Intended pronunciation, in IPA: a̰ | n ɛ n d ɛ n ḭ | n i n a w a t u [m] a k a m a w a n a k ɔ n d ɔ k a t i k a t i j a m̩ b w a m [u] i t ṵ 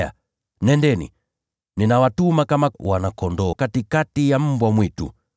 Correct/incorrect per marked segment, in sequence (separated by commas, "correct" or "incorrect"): correct, incorrect